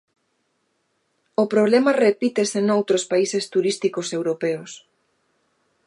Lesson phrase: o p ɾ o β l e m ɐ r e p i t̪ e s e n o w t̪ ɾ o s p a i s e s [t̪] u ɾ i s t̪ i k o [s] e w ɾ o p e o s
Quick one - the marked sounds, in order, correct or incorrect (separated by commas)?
correct, correct